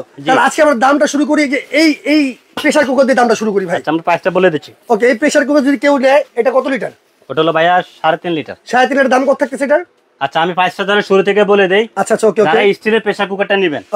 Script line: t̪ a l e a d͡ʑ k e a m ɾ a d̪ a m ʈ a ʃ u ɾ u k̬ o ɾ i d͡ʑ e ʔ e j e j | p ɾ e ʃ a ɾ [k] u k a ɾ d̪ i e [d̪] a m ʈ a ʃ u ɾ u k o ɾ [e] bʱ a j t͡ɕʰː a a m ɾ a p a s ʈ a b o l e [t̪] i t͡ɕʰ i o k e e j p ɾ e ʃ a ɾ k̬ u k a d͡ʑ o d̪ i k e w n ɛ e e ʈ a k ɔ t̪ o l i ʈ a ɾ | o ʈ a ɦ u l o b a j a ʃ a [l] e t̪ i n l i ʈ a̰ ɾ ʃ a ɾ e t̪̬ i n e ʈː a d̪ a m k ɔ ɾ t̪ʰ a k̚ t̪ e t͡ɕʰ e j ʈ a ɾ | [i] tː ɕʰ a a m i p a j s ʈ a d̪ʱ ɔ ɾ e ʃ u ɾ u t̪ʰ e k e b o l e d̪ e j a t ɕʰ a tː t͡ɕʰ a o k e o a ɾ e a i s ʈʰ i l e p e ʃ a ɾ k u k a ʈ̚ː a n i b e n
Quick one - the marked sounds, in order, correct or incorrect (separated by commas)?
correct, correct, incorrect, incorrect, incorrect, incorrect